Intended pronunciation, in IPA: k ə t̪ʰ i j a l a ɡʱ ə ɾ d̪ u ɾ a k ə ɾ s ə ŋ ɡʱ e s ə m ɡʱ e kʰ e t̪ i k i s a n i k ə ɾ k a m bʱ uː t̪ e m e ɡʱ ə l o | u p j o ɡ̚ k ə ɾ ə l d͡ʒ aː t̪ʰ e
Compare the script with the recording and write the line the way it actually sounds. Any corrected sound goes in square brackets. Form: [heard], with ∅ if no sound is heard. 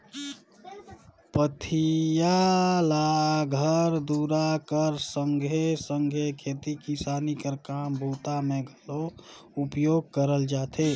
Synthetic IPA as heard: [p] ə t̪ʰ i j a l a ɡʱ ə ɾ d̪ u ɾ a k ə ɾ s ə ŋ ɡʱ e s ə [ŋ] ɡʱ e kʰ e t̪ i k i s a n i k ə ɾ k a m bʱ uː t̪ [a] m e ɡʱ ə l o | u p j o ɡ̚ k ə ɾ ə l d͡ʒ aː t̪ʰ e